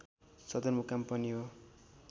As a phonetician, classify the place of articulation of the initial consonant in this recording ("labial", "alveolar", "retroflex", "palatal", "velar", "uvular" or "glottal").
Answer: alveolar